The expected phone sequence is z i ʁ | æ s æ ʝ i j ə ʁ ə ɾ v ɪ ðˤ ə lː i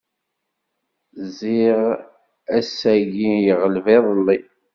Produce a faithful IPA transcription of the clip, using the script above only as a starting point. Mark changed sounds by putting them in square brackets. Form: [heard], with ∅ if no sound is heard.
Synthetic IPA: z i ʁ | æ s æ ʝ i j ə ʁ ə [l] v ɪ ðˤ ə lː i

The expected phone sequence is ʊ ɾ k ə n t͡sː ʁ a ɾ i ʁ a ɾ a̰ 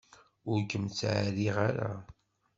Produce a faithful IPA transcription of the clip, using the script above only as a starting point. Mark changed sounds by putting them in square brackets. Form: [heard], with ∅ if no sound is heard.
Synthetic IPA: ʊ ɾ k ə [m] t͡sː [ʕ] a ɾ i ʁ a ɾ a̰

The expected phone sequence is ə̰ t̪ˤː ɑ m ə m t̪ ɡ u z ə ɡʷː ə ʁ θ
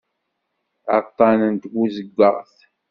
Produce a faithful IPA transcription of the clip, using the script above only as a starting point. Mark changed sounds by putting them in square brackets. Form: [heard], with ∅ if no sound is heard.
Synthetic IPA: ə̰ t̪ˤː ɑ [n] ə [n] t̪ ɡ u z ə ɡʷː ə ʁ θ

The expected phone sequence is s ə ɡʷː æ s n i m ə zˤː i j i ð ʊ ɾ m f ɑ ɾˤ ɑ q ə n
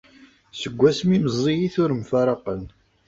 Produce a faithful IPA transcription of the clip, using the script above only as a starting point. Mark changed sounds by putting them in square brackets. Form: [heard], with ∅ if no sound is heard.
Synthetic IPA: s ə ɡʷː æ s [m] i m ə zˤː i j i [θ] ʊ ɾ m f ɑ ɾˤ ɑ q ə n

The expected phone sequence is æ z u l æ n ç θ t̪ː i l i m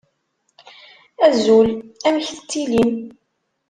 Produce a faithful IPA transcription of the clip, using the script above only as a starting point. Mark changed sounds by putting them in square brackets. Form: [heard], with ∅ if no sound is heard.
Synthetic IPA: æ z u l æ [m] ç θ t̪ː i l i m

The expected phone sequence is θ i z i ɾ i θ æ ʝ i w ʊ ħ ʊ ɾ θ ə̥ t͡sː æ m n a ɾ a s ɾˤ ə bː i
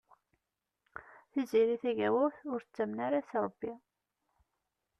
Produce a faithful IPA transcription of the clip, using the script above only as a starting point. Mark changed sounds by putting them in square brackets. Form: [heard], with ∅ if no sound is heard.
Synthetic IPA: θ i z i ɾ i θ æ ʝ [æ] w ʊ [θ] ʊ ɾ θ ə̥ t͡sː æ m n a ɾ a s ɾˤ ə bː i

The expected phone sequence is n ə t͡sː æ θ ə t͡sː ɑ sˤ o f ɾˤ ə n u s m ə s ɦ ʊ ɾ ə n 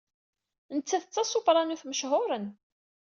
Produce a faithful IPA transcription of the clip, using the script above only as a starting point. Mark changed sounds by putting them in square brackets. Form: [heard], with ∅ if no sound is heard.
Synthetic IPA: n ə t͡sː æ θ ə t͡sː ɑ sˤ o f ɾˤ [ɑ] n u [θ] m ə [ʃ] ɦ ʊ ɾ ə n

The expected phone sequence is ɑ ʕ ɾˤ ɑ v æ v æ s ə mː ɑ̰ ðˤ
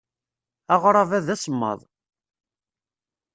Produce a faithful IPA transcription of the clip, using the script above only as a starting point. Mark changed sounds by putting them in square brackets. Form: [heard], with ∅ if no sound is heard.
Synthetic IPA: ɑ [ʁ] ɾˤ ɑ v æ [ð] æ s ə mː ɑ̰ ðˤ

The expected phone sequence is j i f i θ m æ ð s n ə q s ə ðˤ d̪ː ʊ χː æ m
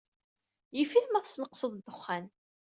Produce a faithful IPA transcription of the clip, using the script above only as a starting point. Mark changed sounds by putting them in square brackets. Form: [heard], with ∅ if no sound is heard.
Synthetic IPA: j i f i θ m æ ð s n ə q s ə ðˤ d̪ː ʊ χː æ [n]

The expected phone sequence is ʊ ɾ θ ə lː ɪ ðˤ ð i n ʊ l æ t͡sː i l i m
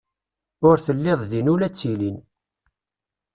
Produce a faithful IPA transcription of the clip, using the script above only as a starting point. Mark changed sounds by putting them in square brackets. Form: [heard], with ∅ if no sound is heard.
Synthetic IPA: ʊ ɾ θ ə lː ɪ ðˤ ð i n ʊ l æ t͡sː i l i [n]

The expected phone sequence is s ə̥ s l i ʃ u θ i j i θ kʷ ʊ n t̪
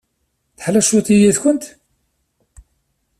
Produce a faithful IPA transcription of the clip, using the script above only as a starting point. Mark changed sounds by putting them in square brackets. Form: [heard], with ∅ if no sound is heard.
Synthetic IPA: [θ] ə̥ [ħ] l [æ] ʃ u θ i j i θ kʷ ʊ n t̪

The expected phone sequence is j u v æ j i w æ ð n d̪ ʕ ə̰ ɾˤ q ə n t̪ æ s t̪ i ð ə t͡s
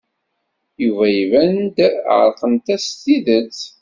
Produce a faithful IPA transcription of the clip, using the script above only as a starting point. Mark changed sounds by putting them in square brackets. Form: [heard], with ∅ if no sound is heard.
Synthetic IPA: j u v æ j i [v] æ [∅] n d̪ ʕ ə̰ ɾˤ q ə n t̪ æ s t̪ i ð ə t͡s

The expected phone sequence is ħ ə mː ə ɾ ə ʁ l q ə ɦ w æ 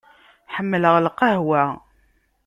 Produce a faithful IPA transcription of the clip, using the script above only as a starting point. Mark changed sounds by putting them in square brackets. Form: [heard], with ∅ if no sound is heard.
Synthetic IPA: ħ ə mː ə [l] ə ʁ l q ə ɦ w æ

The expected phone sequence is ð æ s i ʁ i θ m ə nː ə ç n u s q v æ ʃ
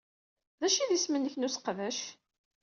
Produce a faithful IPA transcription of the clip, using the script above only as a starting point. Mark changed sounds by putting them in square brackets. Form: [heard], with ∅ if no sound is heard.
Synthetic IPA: ð æ [ʃ] i [ð] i [s] m ə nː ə ç n u s q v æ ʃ

